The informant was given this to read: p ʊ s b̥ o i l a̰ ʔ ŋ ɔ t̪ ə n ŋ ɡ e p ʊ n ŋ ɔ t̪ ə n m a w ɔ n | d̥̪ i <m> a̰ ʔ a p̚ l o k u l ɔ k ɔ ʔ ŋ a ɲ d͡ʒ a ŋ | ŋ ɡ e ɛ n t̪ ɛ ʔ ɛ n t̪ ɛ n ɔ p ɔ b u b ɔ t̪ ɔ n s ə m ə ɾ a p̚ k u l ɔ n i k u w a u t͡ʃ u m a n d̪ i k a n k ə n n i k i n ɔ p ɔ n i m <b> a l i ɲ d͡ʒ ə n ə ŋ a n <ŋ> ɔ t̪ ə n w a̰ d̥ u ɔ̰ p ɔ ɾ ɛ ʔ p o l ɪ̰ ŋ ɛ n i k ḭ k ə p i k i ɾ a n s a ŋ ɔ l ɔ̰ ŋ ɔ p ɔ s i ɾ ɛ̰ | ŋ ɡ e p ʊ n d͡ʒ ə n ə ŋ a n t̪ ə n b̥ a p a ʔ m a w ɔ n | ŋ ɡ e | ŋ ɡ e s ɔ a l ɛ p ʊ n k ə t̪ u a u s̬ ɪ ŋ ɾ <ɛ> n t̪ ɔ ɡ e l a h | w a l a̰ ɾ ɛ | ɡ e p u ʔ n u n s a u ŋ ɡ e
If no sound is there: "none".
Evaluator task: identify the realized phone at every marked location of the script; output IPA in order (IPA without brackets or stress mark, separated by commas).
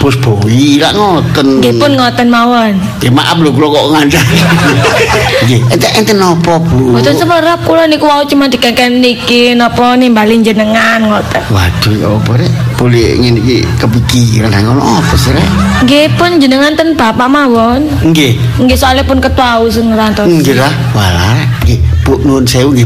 m, b, ŋ, a